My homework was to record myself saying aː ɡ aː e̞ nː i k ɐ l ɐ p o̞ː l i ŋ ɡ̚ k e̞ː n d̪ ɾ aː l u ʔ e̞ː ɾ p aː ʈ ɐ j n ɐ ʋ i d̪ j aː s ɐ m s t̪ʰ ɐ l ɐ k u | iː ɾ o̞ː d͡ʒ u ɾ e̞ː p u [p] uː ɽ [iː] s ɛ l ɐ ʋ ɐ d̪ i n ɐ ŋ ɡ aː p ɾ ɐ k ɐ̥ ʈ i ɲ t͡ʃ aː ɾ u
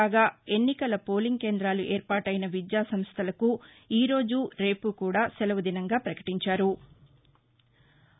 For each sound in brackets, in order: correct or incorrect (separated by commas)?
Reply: incorrect, incorrect